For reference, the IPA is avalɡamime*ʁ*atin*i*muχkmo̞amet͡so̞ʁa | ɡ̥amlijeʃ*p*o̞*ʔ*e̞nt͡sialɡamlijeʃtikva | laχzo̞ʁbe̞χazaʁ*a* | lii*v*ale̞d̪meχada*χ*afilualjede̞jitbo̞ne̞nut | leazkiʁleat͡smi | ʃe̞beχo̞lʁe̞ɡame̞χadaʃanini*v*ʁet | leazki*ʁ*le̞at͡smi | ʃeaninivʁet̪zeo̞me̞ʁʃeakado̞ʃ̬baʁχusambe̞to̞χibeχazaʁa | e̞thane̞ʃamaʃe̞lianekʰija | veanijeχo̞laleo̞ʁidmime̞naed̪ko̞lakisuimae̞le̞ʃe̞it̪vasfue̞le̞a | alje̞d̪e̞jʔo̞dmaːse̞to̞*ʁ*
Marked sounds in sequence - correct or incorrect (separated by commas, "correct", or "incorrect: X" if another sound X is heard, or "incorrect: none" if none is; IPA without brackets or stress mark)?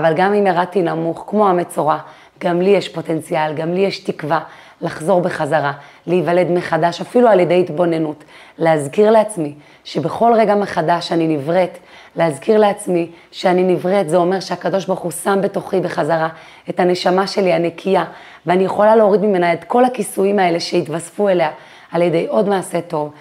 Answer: correct, incorrect: a, correct, incorrect: t, correct, correct, incorrect: ʃ, correct, correct, incorrect: v